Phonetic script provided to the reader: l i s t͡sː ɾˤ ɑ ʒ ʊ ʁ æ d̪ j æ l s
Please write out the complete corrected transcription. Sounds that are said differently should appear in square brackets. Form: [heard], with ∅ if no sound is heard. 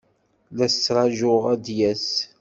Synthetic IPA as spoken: l [æ] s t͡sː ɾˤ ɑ ʒ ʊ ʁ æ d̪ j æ [∅] s

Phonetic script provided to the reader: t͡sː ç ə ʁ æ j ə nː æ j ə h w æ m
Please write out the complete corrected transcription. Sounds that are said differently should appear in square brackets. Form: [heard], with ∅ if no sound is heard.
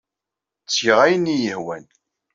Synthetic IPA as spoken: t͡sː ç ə ʁ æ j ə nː [i] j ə h w æ [n]

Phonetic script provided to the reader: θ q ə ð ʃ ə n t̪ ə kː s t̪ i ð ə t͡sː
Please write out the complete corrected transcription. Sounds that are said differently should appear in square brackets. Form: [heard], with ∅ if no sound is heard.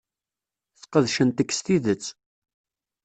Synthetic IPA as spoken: θ q ə ð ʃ ə n t̪ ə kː s t̪ i ð ə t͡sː

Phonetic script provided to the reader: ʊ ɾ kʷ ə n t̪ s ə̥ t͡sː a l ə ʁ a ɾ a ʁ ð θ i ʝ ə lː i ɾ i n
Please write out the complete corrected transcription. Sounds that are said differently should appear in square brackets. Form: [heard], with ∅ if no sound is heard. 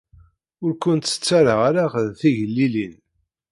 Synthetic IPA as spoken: ʊ ɾ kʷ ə n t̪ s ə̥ t͡sː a [ɾ] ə ʁ a ɾ a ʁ ð θ i ʝ ə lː i [l] i n

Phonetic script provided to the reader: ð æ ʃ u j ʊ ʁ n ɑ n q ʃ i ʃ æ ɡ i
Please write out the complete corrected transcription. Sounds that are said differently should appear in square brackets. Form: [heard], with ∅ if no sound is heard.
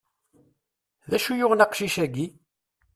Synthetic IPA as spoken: ð æ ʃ u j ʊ ʁ n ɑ [∅] q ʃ i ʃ æ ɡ i

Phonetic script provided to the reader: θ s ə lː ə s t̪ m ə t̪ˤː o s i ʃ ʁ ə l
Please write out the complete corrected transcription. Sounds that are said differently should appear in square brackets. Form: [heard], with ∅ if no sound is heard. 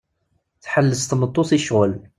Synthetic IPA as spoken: θ [ħ] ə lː ə s t̪ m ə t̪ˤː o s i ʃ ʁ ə l

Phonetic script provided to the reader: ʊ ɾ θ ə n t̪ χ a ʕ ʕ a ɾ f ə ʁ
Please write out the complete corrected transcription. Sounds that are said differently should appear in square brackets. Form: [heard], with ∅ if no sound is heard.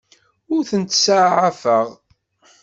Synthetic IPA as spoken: ʊ ɾ θ ə n t̪ [s] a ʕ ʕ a [∅] f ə ʁ

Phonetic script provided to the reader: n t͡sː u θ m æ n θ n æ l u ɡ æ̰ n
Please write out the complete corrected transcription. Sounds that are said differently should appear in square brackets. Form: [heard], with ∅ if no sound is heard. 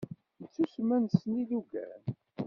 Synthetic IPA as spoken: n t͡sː u [s] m æ n [s] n [i] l u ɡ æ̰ n

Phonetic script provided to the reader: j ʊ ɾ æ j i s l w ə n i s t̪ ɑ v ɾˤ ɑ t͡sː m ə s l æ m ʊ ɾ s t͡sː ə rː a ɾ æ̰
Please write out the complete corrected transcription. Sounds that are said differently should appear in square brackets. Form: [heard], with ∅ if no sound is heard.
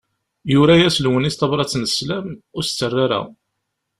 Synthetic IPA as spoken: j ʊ ɾ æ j [æ] s l w ə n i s t̪ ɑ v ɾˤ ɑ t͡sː [n] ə s l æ m ʊ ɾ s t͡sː ə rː a ɾ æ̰

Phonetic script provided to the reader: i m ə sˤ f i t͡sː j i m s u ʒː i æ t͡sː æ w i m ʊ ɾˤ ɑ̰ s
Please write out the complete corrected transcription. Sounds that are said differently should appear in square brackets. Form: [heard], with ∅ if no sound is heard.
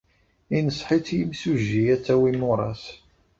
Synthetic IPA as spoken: i [n] ə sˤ [ħ] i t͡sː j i m s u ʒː i æ t͡sː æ w i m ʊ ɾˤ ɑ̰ s

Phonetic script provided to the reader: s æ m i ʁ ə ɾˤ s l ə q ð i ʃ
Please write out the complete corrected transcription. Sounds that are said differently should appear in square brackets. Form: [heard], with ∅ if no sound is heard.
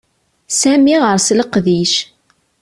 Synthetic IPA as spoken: s æ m i ʁ ə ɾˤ s l ə q ð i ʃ

